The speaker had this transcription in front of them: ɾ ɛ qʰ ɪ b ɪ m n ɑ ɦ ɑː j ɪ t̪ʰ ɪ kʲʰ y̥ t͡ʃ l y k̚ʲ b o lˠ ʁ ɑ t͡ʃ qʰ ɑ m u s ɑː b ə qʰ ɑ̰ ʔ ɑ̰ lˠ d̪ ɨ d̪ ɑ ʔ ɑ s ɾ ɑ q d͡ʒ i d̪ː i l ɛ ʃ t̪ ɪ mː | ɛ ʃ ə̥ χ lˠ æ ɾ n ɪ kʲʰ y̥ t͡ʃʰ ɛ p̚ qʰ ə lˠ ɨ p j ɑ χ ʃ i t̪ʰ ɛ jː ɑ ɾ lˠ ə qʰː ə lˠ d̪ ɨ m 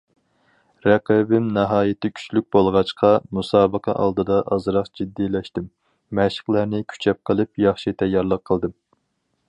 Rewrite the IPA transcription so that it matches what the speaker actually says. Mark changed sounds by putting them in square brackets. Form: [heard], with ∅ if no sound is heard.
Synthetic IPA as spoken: ɾ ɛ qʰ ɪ b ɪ m n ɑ ɦ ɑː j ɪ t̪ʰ ɪ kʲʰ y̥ t͡ʃ l y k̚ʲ b o lˠ ʁ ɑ t͡ʃ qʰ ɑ m u s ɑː b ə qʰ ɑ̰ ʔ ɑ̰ lˠ d̪ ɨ d̪ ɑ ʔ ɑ [z] ɾ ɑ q d͡ʒ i d̪ː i l ɛ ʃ t̪ ɪ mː | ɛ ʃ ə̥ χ lˠ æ ɾ n ɪ kʲʰ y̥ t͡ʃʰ ɛ p̚ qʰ ə lˠ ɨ p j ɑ χ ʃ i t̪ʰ ɛ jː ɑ ɾ lˠ ə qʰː ə lˠ d̪ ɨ m